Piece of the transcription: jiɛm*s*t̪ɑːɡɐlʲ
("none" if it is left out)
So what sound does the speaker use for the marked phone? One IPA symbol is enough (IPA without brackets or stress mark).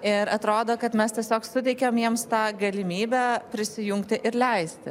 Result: s